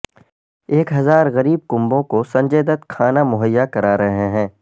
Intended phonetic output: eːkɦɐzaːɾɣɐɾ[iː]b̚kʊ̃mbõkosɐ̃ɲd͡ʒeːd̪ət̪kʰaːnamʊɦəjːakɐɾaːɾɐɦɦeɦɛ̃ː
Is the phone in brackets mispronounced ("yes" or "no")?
no